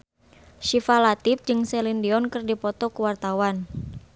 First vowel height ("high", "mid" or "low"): high